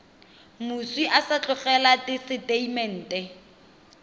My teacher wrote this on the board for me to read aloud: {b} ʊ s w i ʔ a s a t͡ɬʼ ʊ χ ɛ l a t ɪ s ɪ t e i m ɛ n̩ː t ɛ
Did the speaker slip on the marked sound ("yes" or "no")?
yes